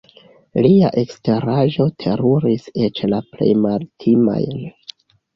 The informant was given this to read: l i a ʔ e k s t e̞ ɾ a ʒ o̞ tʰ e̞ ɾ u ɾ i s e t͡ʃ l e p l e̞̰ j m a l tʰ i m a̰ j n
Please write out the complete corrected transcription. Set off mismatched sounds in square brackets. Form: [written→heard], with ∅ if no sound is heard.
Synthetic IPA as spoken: l i a ʔ e k s t e̞ ɾ a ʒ o̞ tʰ e̞ ɾ u ɾ i s e t͡ʃ l [e→a] p l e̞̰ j m a l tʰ i m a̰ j n